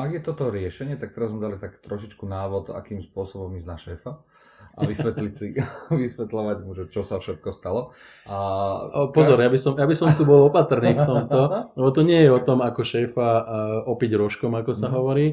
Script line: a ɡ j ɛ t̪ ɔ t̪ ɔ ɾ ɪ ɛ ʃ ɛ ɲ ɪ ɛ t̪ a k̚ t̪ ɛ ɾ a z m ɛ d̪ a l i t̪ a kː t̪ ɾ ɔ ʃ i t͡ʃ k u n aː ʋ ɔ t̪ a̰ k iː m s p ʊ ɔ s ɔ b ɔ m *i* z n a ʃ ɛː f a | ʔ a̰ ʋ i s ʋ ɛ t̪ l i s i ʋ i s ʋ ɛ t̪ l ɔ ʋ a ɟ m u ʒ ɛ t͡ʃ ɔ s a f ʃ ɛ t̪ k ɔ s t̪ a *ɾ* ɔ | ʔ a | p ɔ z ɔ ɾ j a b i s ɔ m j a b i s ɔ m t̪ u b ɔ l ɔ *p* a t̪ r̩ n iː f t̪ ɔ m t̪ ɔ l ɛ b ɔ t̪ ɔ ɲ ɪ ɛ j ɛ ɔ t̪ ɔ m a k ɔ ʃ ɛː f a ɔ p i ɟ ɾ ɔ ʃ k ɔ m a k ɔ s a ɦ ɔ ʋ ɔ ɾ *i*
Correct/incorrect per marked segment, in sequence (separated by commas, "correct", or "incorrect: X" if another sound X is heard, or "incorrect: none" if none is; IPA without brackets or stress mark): correct, incorrect: l, correct, incorrect: iː